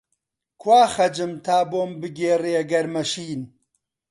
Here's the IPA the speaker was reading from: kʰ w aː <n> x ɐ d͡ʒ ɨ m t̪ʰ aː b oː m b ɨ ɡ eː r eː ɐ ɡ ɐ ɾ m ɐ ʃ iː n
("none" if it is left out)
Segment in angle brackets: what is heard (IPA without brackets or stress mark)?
none